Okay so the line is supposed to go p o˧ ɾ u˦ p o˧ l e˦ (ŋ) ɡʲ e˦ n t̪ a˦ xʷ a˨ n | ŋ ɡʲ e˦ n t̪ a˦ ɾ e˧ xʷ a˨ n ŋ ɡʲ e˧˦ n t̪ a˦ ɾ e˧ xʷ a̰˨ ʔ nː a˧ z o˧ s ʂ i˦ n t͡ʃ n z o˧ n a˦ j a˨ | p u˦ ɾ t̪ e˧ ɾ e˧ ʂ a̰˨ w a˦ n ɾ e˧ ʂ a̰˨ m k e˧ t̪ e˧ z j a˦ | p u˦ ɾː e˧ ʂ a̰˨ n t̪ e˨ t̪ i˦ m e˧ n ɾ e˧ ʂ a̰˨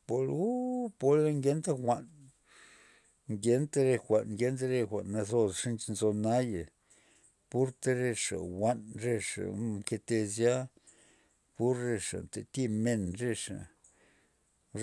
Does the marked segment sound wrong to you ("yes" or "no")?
no